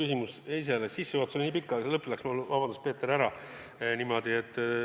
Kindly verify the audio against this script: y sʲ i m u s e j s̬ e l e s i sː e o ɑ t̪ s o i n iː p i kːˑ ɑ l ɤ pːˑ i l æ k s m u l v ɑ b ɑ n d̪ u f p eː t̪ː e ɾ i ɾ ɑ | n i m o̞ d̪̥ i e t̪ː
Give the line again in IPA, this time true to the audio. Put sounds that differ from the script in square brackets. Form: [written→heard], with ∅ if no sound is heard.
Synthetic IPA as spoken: y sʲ i m u s e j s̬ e l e s i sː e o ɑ t̪ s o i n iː p i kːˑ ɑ l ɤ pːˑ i l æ k s m u l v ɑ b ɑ n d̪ u [f→s] p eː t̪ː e ɾ [i→æ] ɾ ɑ | n i m o̞ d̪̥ i e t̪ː